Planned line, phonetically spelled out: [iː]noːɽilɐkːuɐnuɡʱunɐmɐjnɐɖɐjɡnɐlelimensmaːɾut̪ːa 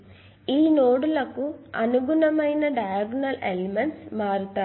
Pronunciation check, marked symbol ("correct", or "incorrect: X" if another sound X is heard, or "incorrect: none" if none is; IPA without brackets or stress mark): correct